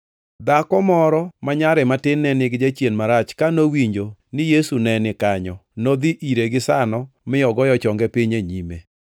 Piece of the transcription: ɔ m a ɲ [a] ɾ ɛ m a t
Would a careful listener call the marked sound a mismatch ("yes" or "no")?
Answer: no